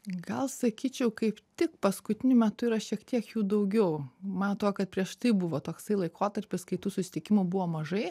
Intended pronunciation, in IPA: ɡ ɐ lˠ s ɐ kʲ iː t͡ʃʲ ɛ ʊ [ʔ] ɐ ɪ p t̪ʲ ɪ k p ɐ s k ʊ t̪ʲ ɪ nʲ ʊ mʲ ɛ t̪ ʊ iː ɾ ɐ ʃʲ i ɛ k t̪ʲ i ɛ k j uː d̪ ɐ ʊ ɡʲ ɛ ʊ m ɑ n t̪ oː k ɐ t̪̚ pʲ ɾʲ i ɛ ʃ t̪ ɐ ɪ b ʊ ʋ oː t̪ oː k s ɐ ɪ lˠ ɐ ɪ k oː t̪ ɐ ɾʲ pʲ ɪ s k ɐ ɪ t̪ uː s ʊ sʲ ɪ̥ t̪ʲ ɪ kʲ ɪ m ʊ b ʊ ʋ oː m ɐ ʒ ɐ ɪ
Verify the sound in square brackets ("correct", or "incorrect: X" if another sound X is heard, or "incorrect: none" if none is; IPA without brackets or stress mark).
incorrect: k